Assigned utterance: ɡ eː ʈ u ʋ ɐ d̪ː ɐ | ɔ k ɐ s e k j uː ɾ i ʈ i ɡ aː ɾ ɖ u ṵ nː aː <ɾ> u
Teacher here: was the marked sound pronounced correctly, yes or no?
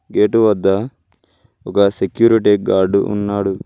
no